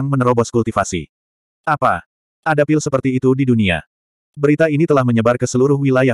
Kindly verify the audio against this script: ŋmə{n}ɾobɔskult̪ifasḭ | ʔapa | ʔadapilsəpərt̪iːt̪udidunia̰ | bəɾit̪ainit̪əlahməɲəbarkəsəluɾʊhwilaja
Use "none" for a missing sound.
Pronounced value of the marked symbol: n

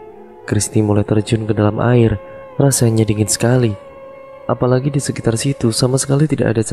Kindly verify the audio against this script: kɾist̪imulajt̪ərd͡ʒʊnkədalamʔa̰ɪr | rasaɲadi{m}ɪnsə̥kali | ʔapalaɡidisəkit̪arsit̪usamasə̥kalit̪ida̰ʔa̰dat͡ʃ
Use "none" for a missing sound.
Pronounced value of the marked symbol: ŋ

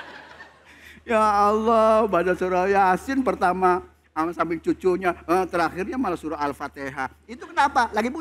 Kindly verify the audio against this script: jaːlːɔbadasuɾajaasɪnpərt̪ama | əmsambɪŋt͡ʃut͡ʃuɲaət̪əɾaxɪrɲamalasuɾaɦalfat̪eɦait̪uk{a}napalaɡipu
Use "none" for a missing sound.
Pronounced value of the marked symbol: ə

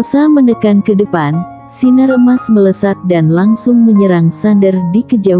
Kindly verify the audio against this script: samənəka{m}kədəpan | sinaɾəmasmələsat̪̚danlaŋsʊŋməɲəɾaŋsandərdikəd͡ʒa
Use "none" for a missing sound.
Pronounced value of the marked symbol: n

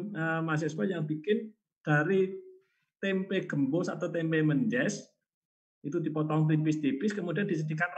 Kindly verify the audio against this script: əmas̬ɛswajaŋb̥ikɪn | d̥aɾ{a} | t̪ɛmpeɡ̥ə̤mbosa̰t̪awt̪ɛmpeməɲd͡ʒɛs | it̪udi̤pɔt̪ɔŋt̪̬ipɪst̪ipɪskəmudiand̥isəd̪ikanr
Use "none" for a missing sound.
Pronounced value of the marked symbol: i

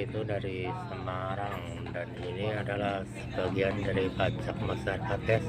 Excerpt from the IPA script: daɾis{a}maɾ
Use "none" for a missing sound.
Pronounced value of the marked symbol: ə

